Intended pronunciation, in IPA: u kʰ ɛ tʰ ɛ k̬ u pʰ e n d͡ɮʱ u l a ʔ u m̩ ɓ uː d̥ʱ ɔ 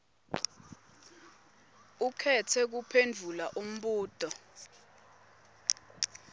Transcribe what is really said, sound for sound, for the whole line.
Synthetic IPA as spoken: u kʰ ɛ tʰ ɛ k̬ u pʰ e n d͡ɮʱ u l a ʔ u m̩ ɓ uː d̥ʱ ɔ